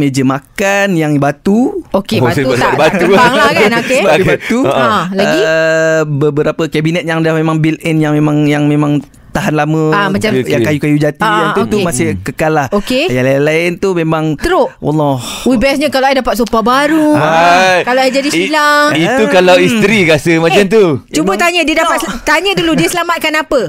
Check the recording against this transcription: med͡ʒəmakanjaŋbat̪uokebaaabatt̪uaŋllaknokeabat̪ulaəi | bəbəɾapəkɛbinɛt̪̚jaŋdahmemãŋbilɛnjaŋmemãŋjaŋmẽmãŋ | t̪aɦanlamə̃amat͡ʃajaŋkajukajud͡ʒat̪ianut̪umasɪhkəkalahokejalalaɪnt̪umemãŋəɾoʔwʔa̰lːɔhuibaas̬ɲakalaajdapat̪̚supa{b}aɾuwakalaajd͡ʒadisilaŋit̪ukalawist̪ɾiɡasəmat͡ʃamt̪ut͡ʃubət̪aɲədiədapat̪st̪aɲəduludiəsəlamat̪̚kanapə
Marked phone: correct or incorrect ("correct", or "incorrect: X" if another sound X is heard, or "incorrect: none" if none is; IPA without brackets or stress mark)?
correct